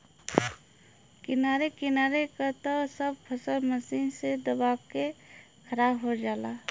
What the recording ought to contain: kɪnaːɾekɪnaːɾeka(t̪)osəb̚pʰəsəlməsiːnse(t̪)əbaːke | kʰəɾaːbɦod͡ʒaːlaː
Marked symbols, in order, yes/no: yes, no

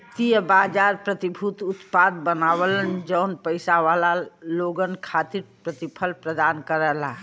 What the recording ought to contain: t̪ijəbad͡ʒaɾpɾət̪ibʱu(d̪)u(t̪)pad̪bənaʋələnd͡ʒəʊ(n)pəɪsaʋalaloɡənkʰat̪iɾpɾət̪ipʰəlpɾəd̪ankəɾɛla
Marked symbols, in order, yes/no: no, yes, yes

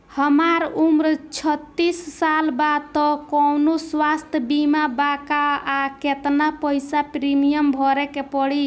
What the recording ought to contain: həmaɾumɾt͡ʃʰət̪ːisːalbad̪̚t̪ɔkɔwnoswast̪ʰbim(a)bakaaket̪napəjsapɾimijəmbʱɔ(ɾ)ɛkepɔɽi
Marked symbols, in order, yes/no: yes, yes

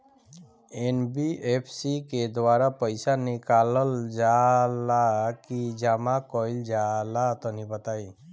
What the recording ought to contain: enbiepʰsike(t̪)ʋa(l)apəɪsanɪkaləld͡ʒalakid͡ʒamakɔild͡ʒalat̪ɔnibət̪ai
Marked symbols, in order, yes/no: no, no

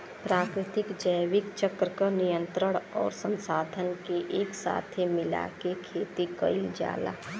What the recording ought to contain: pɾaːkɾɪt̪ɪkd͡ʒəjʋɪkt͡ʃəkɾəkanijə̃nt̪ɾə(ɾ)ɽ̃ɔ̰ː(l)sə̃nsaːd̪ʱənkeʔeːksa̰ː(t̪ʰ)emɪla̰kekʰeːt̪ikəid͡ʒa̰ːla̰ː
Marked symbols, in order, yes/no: no, no, yes

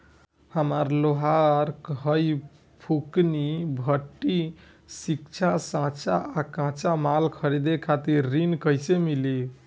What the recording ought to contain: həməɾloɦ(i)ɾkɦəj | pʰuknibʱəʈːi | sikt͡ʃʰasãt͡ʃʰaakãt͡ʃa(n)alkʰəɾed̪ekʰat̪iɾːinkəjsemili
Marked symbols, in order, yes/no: no, no

